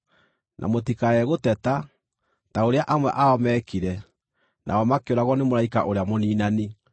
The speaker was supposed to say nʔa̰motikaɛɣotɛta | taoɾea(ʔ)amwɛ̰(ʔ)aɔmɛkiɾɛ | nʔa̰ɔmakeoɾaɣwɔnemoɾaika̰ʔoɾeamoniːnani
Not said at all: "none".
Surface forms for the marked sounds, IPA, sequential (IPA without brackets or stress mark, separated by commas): ʔ, ʔ